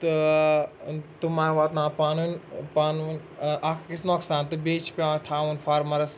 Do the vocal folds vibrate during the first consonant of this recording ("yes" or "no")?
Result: no